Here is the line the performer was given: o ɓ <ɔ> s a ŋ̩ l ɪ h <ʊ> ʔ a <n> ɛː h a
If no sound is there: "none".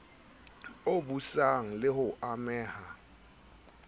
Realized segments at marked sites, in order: u, ʊ, m

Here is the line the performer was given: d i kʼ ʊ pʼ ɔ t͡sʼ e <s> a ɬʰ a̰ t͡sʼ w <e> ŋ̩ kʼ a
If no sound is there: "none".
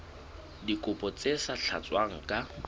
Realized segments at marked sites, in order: s, a

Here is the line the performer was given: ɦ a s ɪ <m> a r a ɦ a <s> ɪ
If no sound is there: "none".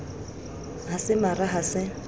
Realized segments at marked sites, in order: m, s

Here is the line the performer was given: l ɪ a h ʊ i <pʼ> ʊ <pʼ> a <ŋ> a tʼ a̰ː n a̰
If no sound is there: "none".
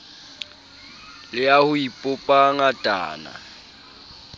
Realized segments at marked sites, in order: pʼ, pʼ, ŋ

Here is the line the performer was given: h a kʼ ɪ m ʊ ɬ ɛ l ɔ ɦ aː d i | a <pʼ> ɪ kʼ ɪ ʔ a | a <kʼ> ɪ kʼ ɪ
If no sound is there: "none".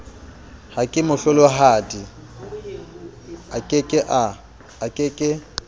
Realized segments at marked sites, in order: kʼ, kʼ

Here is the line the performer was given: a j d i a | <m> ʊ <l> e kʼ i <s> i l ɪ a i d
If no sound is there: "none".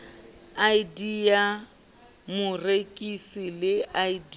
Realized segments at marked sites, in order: m, r, s

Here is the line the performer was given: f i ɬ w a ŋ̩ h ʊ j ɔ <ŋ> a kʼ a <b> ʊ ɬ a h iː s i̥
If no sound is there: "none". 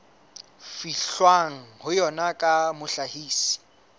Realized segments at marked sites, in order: n, m

